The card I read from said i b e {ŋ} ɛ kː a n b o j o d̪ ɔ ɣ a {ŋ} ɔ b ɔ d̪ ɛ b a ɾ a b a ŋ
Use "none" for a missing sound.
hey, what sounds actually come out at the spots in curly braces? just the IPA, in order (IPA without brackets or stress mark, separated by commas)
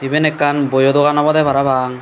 n, n